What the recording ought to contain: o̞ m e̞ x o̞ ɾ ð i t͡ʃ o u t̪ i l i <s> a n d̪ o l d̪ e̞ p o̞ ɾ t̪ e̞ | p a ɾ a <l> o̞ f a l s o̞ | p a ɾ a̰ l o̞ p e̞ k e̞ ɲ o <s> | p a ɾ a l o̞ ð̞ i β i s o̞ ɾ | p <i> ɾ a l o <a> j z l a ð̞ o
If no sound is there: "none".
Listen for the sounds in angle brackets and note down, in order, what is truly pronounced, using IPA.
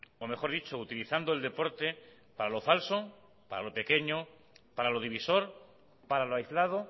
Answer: θ, l, none, a, a

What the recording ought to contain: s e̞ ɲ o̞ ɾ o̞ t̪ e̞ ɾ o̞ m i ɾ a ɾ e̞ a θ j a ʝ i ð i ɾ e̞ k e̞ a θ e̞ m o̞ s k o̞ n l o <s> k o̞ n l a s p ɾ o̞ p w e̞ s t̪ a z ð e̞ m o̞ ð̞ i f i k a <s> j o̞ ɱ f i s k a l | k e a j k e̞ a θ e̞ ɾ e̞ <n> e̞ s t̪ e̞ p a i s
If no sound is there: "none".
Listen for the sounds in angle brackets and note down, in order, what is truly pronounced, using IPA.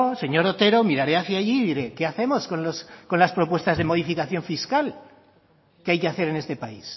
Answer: s, θ, n

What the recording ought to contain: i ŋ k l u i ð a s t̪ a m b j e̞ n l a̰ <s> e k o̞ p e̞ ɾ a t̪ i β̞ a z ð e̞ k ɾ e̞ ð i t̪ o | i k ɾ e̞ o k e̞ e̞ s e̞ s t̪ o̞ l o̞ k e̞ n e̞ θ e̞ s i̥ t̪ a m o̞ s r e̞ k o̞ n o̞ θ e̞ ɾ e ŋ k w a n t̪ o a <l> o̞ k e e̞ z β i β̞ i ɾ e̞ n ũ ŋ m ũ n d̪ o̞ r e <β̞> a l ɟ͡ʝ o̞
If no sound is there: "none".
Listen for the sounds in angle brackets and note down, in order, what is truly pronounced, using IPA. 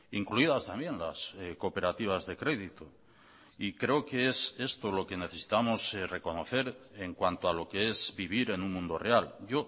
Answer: s, l, none

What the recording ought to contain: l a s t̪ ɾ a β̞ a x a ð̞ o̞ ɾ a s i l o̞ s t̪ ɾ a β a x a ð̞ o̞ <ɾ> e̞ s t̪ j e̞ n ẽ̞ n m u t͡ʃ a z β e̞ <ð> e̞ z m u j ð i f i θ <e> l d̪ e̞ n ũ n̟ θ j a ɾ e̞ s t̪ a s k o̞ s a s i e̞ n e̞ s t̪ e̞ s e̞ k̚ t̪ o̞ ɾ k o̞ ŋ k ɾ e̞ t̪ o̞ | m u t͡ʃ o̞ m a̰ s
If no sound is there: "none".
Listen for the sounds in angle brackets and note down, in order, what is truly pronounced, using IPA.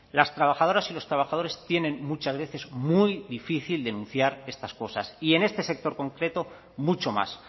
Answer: ɾ, θ, i

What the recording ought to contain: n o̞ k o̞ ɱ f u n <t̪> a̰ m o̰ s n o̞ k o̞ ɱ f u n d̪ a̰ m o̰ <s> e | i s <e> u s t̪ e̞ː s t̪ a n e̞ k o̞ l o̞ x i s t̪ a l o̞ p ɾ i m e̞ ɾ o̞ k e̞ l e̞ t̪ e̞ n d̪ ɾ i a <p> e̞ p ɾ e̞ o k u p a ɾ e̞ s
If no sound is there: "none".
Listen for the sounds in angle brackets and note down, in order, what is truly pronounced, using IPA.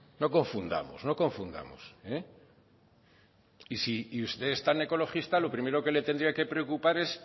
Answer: d̪, s, i, k

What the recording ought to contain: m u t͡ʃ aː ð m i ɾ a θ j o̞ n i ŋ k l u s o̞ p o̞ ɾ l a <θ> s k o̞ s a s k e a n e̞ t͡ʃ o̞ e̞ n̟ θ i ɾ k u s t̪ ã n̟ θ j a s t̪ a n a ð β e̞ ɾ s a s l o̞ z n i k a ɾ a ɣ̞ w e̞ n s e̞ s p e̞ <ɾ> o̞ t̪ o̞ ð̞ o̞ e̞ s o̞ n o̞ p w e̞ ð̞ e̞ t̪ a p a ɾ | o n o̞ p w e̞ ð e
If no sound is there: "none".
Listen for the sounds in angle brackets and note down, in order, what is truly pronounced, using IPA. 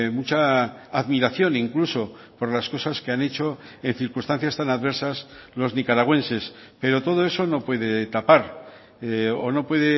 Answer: none, ɾ

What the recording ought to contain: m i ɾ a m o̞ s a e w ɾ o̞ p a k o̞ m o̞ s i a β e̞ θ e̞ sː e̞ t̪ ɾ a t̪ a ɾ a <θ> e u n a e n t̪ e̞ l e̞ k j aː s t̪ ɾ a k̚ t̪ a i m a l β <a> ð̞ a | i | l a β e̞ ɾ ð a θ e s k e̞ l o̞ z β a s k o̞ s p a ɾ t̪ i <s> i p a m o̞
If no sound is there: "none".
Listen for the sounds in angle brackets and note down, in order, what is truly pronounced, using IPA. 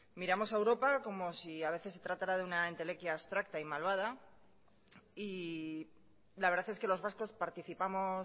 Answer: ð, a, θ

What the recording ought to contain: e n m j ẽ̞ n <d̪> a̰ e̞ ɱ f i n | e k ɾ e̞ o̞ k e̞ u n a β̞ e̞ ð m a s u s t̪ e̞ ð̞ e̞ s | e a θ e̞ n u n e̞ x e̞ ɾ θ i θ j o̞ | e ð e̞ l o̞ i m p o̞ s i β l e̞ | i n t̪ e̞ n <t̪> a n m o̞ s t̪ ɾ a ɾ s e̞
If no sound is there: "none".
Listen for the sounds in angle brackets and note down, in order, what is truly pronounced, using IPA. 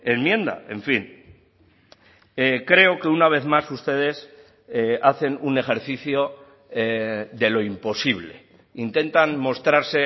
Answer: d̪, t̪

